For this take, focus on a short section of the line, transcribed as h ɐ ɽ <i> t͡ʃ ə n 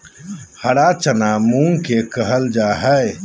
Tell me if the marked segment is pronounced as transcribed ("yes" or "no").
no